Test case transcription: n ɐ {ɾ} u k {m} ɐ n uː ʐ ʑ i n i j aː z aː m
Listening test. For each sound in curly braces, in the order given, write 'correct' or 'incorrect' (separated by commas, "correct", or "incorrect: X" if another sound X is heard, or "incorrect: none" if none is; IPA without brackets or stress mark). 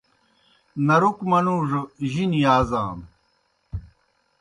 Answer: correct, correct